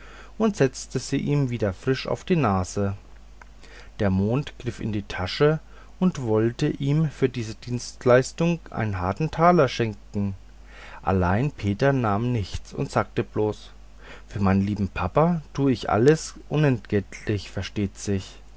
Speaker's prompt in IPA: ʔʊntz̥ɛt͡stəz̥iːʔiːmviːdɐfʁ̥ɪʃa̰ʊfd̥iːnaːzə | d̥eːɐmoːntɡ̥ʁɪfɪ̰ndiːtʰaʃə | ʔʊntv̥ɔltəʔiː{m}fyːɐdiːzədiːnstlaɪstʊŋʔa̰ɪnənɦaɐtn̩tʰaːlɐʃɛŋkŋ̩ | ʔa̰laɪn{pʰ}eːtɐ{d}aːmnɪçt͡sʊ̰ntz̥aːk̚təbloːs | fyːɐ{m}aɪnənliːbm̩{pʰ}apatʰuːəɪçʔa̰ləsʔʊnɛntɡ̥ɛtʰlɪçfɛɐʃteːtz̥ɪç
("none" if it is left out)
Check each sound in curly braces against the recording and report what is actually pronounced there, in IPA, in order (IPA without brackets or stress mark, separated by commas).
m, pʰ, n, m, pʰ